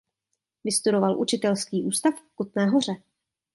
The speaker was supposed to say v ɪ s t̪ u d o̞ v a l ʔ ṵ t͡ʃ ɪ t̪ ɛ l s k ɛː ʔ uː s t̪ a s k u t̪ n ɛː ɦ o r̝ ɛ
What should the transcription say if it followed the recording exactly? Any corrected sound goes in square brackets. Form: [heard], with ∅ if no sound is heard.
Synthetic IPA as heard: v ɪ s t̪ u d o̞ v a l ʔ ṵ t͡ʃ ɪ t̪ ɛ l s k [iː] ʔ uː s t̪ a [f] k u t̪ n ɛː ɦ o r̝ ɛ